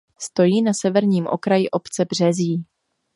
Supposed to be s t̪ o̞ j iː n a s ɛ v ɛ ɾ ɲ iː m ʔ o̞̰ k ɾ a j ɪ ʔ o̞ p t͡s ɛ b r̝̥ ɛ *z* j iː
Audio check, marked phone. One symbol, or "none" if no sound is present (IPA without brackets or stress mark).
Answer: z